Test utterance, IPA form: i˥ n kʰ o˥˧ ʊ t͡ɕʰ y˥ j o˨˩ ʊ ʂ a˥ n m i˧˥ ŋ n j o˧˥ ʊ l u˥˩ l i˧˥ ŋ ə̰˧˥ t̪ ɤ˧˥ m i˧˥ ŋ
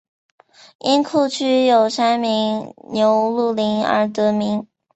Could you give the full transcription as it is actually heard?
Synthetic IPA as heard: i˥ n kʰ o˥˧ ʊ t͡ɕʰ y˥ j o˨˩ ʊ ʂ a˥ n m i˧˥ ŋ n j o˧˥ ʊ l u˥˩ l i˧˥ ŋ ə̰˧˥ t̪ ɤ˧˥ m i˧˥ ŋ